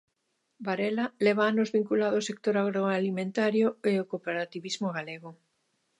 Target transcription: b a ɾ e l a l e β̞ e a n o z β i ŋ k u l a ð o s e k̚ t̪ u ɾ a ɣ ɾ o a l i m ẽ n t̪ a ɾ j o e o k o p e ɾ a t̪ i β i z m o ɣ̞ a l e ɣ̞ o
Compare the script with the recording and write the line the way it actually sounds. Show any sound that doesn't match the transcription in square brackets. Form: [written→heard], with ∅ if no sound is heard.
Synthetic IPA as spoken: b a ɾ e l a l e β̞ [e→a] a n o z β i ŋ k u l a ð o s e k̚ t̪ [u→o] ɾ a ɣ ɾ o a l i m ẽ n t̪ a ɾ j o e o k o p e ɾ a t̪ i β i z m o ɣ̞ a l e ɣ̞ o